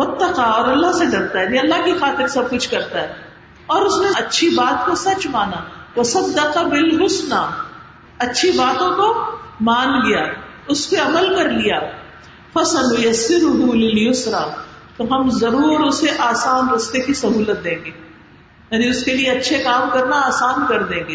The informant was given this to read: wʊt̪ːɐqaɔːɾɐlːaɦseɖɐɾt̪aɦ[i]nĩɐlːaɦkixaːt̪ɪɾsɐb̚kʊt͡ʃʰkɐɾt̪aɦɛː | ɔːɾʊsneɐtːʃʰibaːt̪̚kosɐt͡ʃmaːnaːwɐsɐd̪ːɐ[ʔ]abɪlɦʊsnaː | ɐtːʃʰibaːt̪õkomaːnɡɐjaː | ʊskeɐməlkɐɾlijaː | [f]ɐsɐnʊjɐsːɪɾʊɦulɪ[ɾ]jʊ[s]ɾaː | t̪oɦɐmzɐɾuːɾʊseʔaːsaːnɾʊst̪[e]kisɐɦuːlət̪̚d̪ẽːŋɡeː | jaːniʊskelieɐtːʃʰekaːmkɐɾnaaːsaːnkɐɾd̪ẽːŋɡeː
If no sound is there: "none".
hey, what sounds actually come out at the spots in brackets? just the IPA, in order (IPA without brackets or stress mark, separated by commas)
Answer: ɛ, q, f, l, s, e